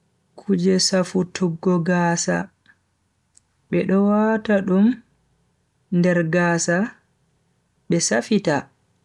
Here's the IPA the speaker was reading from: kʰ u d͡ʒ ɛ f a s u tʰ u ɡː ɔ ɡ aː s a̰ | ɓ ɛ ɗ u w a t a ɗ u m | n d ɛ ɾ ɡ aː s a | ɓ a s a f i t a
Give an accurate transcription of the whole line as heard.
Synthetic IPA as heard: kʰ u d͡ʒ ɛ s a f u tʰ u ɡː ɔ ɡ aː s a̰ | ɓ ɛ ɗ ɔ w a t a ɗ u m | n d ɛ ɾ ɡ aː s a | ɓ ɛ s a f i t a